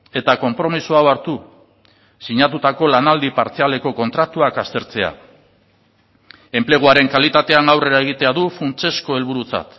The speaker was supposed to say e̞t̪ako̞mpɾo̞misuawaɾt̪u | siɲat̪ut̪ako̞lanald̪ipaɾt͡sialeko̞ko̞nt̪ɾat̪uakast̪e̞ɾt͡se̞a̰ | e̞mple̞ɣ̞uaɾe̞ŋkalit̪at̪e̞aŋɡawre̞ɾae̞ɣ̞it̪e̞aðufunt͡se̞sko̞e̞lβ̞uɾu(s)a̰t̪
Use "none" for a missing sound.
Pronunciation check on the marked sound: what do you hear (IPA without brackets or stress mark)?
t͡s